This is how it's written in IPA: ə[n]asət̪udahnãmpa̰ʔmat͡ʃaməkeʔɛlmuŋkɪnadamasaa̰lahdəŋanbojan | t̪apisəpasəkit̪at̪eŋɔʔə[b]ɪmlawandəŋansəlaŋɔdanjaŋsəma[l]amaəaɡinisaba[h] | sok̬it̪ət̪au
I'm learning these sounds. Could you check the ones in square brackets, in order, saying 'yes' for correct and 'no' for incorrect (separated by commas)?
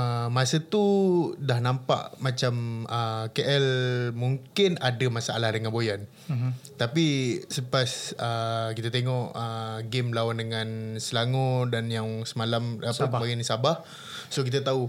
no, no, yes, yes